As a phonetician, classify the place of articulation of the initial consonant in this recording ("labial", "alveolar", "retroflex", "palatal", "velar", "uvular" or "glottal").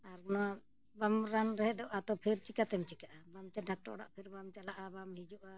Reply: alveolar